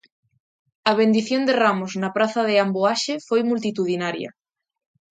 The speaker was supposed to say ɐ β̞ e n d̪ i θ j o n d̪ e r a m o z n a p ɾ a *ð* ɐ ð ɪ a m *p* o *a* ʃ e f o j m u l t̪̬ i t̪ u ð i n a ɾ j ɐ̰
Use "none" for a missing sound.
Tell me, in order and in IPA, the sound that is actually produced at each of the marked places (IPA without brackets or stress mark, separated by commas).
θ, b, a